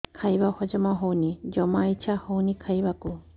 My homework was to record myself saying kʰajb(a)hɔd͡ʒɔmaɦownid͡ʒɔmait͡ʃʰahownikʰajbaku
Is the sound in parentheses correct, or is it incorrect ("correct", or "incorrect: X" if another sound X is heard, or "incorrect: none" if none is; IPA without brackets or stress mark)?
correct